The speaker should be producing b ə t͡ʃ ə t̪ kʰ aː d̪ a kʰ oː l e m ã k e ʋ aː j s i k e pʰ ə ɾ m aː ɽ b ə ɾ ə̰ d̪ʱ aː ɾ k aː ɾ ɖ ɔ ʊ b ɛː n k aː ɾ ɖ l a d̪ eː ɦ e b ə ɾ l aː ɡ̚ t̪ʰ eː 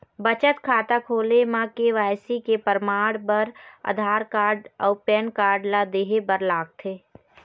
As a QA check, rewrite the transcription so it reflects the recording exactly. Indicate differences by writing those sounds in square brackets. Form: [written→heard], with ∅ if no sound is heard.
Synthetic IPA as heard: b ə t͡ʃ ə t̪ kʰ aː [d̪→t̪] a kʰ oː l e m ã k e ʋ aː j s i k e [pʰ→p] ə ɾ m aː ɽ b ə ɾ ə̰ d̪ʱ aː ɾ k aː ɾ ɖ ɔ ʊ [b→p] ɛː n k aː ɾ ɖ l a d̪ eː ɦ e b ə ɾ l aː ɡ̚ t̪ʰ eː